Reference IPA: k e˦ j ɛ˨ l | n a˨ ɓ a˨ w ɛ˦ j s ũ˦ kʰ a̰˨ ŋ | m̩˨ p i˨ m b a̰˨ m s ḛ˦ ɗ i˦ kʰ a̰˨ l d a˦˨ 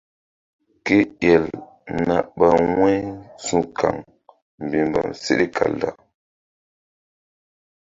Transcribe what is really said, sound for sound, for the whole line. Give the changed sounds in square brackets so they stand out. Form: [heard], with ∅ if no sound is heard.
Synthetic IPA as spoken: k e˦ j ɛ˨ l | n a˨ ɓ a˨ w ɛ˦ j s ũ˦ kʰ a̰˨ ŋ | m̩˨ [b] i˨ m b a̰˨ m s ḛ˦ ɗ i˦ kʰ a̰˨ l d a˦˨

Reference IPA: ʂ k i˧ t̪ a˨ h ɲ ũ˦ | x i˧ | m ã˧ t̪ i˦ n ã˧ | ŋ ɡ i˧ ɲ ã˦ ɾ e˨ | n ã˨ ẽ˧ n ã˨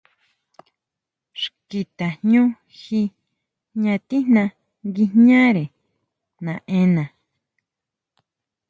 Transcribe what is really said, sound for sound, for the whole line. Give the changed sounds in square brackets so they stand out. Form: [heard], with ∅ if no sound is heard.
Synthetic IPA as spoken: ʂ k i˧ t̪ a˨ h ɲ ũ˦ | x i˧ | [ɲ] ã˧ t̪ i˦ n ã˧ | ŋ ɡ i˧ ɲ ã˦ ɾ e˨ | n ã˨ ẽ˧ n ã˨

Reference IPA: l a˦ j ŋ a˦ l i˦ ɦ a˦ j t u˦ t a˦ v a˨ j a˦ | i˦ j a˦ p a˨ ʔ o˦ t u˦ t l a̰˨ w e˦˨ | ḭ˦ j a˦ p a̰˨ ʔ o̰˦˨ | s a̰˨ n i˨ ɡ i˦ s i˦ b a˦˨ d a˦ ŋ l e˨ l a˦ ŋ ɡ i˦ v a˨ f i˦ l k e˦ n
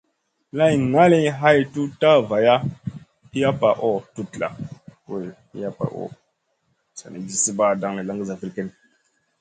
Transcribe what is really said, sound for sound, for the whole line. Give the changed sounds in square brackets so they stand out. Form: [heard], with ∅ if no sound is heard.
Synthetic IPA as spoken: l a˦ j ŋ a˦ l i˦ ɦ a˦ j t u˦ t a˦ v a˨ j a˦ | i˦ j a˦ p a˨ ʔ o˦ t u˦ t l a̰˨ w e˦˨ | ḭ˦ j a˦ p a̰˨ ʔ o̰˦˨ | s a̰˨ n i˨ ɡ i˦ s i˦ b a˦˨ d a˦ ŋ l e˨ l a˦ ŋ ɡ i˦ [z] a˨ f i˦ l k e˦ n

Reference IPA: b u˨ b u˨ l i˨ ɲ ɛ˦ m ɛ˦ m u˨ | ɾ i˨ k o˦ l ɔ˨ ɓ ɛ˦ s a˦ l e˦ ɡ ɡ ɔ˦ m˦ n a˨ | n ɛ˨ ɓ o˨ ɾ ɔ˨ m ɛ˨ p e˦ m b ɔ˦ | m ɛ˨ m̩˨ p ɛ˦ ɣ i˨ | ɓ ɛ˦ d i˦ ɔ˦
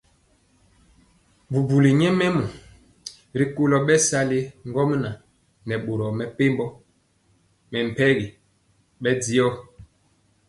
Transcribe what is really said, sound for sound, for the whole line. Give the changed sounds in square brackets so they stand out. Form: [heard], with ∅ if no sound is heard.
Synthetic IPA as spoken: b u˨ b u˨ l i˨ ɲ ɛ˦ m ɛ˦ m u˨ | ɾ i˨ k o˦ l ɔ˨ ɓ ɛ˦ s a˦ l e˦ [ŋ] ɡ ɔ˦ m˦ n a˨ | n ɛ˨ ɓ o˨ ɾ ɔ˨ m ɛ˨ p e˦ m b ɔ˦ | m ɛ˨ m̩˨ p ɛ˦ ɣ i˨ | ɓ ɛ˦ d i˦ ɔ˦

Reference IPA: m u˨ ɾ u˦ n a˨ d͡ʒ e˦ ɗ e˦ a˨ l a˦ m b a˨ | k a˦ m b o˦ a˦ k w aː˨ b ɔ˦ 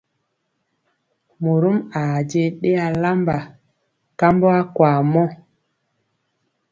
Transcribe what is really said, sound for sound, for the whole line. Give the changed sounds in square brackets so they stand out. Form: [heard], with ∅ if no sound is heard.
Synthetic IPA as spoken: m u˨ ɾ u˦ [m] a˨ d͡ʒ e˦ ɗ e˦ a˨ l a˦ m b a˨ | k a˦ m b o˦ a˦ k w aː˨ [m] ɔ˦

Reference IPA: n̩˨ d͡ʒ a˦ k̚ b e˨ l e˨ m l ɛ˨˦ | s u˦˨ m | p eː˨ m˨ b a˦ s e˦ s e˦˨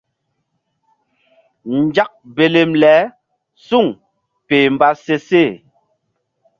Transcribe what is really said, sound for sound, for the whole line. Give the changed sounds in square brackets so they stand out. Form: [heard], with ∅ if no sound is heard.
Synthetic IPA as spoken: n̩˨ d͡ʒ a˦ k̚ b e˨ l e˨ m l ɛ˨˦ | s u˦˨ [ŋ] | p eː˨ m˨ b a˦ s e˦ s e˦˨

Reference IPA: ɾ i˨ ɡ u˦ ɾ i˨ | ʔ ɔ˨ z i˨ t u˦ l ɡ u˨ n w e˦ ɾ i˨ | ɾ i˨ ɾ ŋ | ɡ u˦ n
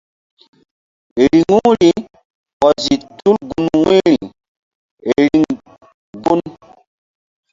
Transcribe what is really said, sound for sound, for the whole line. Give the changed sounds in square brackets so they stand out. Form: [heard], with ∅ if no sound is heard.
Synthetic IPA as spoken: ɾ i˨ [ŋ] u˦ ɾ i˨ | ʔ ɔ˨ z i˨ t u˦ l ɡ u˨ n w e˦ ɾ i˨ | ɾ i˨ [∅] ŋ | ɡ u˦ n

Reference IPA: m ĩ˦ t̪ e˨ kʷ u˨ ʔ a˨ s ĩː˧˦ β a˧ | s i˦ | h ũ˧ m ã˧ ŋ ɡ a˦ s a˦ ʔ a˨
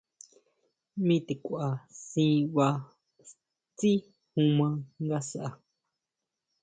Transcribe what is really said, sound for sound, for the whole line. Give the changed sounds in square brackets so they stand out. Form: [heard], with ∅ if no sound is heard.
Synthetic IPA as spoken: m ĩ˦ t̪ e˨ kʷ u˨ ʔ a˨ s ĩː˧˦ β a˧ | [t͡s] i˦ | h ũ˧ m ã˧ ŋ ɡ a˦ s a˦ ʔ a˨

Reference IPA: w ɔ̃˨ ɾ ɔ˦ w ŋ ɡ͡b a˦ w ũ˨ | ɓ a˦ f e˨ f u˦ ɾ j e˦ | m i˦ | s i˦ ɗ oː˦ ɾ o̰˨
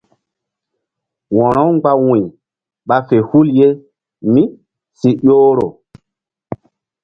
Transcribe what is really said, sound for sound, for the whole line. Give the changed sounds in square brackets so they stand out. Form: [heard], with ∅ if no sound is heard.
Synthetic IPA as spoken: w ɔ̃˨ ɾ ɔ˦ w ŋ ɡ͡b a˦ w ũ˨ | ɓ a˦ f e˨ [h] u˦ [l] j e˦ | m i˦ | s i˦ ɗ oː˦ ɾ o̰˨

